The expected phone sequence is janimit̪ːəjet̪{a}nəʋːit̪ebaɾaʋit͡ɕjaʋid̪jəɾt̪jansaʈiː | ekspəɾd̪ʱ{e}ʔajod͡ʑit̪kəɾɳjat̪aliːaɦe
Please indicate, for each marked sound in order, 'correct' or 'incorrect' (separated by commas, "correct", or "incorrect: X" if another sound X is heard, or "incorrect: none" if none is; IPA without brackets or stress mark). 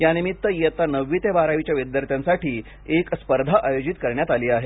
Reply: correct, incorrect: a